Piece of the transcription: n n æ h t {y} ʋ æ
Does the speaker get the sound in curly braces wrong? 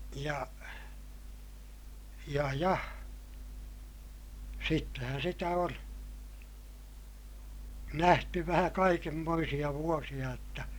no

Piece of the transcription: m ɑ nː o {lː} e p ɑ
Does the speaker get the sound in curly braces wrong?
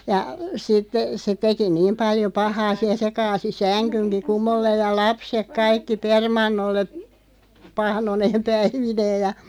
no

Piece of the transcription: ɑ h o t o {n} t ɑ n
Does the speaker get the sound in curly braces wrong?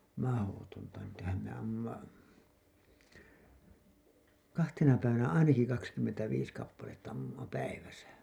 no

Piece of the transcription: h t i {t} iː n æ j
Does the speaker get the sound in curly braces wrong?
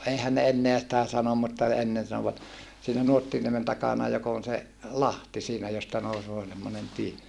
yes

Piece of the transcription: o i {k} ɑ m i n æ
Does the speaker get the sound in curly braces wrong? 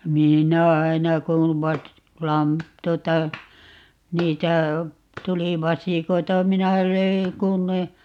yes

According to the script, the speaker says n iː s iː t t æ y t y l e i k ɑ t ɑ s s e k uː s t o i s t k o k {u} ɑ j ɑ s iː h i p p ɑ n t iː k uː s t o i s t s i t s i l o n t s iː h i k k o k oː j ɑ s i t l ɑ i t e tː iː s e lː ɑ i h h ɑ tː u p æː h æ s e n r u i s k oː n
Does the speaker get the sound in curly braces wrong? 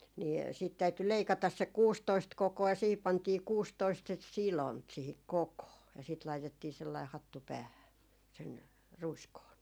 yes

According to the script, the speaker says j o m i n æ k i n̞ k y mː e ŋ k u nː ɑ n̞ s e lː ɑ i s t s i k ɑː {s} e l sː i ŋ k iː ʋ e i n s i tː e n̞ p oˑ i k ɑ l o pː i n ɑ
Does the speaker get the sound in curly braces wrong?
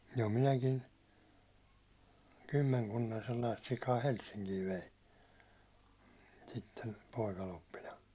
yes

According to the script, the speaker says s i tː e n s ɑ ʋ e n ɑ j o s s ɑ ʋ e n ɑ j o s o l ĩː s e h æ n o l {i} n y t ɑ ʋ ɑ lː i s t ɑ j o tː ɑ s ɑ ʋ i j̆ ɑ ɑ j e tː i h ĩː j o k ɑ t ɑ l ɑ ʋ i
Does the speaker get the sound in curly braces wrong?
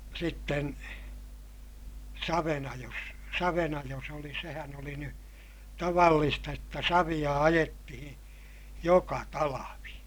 no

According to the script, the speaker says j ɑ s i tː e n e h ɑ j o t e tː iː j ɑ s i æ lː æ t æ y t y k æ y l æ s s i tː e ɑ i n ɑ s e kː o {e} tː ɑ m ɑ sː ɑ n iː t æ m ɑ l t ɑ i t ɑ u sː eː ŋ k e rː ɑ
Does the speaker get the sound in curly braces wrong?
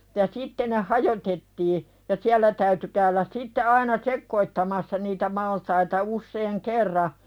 yes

